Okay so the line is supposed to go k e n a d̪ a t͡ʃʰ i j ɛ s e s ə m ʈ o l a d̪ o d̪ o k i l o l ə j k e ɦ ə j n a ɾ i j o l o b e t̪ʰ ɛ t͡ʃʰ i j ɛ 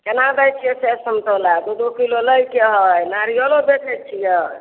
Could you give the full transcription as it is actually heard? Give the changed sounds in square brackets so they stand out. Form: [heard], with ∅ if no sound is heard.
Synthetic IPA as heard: k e n a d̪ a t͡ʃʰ i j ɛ s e s ə m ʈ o l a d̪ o d̪ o k i l o l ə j k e ɦ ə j n a ɾ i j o l o b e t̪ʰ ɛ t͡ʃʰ i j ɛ